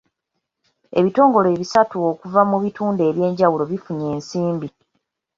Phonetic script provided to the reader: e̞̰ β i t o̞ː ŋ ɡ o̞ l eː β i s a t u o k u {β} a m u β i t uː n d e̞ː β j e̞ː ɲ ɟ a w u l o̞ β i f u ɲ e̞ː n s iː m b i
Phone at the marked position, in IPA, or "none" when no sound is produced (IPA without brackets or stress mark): v